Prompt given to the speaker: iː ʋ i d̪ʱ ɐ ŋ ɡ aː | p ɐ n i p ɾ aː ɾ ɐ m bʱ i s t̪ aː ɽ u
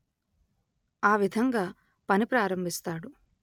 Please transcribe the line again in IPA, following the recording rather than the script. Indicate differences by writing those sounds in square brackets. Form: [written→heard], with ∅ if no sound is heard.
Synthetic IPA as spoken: [iː→aː] ʋ i d̪ʱ ɐ ŋ ɡ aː | p ɐ n i p ɾ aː ɾ ɐ m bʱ i s t̪ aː ɽ u